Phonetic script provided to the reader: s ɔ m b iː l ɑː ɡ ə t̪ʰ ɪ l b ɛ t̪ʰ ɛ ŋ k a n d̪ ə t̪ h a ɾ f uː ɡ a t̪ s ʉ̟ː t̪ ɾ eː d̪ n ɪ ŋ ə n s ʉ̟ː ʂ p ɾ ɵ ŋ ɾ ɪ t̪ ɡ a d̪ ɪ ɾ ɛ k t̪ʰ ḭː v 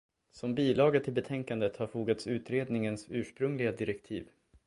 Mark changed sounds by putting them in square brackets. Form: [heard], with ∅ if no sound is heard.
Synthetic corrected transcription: s ɔ m b iː l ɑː ɡ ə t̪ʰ ɪ l b ɛ t̪ʰ ɛ ŋ k a n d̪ ə t̪ h a ɾ f uː ɡ a t̪ s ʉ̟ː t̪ ɾ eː d̪ n ɪ ŋ ə n s ʉ̟ː ʂ p ɾ ɵ ŋ [l] ɪ [∅] ɡ a d̪ ɪ ɾ ɛ k t̪ʰ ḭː v